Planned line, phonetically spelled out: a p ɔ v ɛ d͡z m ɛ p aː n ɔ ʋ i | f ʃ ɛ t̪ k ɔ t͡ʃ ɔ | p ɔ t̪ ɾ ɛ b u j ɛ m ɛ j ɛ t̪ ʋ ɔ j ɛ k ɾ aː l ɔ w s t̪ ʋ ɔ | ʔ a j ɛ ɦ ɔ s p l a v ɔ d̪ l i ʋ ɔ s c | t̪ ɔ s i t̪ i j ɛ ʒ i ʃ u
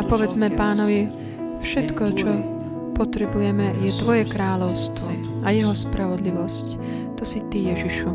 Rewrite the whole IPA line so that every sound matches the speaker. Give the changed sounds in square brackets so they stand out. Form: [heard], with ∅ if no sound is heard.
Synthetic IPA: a p ɔ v ɛ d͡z m ɛ p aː n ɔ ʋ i | f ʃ ɛ t̪ k ɔ t͡ʃ ɔ | p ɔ t̪ ɾ ɛ b u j ɛ m ɛ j ɛ t̪ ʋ ɔ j ɛ k ɾ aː l ɔ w s t̪ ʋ ɔ | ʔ a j ɛ ɦ ɔ s p [ɾ] a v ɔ d̪ l i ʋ ɔ s c | t̪ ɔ s i t̪ i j ɛ ʒ i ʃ u